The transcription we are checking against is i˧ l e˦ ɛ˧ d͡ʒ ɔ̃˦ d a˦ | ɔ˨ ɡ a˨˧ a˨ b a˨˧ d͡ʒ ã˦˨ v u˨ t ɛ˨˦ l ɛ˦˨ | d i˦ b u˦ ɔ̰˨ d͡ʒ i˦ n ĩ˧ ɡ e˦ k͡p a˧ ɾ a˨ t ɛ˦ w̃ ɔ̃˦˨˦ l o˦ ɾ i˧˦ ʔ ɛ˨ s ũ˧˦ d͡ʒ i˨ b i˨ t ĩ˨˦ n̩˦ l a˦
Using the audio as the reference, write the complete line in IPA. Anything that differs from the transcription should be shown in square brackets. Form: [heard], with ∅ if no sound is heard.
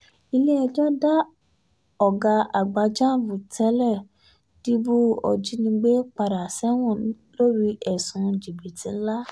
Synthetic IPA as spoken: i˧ l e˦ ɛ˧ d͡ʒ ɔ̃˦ d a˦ | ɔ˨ ɡ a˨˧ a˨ [ɡ͡b] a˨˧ d͡ʒ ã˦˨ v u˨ t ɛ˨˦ l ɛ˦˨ | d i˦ b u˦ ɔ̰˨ d͡ʒ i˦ n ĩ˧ [ɡ͡b] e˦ k͡p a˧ ɾ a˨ [s] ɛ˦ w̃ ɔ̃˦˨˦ l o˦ ɾ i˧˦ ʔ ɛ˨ s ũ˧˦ d͡ʒ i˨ b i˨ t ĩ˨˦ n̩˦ l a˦

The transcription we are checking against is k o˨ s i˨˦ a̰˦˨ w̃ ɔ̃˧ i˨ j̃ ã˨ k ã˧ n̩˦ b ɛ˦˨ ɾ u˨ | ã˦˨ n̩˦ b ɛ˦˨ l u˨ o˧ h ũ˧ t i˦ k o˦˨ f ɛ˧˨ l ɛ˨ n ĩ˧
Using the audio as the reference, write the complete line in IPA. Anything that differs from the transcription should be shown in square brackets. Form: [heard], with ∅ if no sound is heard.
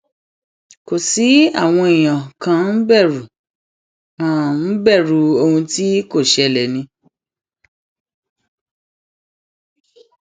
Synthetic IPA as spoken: k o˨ s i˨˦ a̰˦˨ w̃ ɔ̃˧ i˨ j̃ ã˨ k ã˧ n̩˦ b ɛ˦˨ ɾ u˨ | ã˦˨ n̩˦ b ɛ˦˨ [ɾ] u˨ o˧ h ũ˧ t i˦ k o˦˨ [ʃ] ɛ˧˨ l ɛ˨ n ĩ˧

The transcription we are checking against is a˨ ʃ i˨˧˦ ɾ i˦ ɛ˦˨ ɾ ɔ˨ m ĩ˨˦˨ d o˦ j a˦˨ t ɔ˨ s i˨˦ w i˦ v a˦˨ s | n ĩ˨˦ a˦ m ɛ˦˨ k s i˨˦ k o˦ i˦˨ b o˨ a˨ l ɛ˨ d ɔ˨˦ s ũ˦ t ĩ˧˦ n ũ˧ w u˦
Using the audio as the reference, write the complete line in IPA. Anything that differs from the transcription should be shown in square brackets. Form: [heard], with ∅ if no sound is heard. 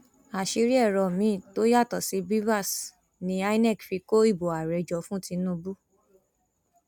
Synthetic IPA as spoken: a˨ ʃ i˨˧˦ ɾ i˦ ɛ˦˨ ɾ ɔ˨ m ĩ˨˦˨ [t] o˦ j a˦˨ t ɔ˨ s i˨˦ [b] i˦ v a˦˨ s | n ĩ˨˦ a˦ [n] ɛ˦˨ k [f] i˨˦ k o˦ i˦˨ b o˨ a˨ [ɾ] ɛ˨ [d͡ʒ] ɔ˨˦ [f] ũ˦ t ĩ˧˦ n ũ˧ [b] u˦

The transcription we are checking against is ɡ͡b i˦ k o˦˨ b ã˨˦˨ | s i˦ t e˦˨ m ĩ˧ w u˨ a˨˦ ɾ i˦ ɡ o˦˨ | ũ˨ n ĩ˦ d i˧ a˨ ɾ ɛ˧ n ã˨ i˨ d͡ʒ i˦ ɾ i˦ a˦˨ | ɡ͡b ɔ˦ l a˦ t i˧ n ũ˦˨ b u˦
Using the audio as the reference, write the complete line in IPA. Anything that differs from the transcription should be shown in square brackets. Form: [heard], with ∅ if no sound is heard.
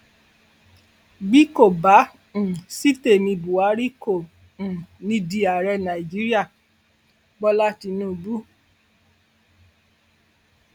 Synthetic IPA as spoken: ɡ͡b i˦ k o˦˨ b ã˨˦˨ | s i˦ t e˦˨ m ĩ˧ [b] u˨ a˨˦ ɾ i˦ [k] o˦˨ | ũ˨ n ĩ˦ d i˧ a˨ ɾ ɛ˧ n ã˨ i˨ d͡ʒ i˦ ɾ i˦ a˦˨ | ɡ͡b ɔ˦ l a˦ t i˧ n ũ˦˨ b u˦

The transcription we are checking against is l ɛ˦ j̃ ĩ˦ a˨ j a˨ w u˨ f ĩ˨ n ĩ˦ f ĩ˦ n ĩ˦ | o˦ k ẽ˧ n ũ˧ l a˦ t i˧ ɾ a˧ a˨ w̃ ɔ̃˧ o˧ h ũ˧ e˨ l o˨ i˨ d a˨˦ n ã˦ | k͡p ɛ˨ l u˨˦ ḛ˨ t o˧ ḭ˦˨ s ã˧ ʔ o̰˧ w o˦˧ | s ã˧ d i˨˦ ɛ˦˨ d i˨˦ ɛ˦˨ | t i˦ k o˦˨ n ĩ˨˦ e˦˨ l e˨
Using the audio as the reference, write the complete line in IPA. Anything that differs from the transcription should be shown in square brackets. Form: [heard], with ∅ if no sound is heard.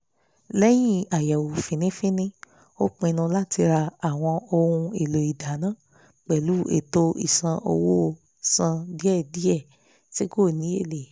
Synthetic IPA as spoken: l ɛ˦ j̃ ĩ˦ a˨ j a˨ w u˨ f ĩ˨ n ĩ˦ f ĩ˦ n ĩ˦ | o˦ [k͡p] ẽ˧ n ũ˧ l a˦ t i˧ ɾ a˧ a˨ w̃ ɔ̃˧ o˧ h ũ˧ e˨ l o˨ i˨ d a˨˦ n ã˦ | k͡p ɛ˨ l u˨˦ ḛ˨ t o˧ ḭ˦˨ s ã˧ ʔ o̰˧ w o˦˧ | s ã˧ d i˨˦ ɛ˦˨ d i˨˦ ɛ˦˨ | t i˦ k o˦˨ n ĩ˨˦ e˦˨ l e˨

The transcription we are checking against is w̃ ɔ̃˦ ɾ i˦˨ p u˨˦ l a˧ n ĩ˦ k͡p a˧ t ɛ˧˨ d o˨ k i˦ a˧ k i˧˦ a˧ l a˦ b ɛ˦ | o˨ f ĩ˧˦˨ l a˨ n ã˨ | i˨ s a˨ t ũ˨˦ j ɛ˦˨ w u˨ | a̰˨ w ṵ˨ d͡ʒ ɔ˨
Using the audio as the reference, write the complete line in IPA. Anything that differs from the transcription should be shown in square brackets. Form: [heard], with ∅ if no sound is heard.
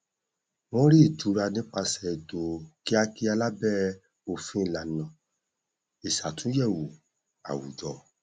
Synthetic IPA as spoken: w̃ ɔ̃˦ ɾ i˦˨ [t] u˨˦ [ɾ] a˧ n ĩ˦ k͡p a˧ [s] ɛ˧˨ d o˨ k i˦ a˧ k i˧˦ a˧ l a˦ b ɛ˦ | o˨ f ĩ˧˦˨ l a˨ n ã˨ | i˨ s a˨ t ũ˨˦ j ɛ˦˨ w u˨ | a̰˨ w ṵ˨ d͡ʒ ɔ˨

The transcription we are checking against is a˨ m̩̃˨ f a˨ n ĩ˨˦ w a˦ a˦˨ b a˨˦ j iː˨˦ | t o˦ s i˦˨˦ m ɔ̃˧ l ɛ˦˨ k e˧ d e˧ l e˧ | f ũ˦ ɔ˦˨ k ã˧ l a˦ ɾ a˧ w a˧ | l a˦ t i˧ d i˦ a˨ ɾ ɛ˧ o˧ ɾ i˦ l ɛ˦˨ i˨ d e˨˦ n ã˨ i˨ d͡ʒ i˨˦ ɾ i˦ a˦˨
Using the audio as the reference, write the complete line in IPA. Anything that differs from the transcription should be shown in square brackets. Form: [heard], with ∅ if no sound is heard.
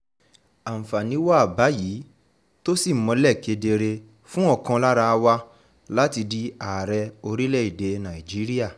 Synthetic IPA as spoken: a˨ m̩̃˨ f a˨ n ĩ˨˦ w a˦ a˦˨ b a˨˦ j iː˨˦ | t o˦ s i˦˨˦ m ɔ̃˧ l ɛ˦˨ k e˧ d e˧ [ɾ] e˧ | f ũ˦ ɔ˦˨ k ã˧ l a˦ ɾ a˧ w a˧ | l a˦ t i˧ d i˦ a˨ ɾ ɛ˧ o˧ ɾ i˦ l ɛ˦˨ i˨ d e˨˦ n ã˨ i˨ d͡ʒ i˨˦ ɾ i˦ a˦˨

